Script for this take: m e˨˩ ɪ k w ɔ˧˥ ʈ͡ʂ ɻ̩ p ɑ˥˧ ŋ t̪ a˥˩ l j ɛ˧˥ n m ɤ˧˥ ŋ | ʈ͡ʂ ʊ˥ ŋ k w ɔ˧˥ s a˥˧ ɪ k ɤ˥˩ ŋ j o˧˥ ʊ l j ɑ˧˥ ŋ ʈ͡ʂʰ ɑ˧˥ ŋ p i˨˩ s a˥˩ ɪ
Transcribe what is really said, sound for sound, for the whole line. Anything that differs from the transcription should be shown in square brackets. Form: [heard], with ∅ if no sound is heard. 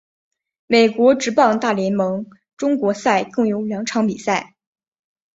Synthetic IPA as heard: m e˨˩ ɪ k w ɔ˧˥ ʈ͡ʂ ɻ̩ p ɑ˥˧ ŋ t̪ a˥˩ l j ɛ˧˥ n m ɤ˧˥ ŋ | ʈ͡ʂ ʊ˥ ŋ k w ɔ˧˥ s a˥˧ ɪ k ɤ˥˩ ŋ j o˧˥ ʊ l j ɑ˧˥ ŋ ʈ͡ʂʰ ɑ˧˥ ŋ p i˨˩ s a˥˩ ɪ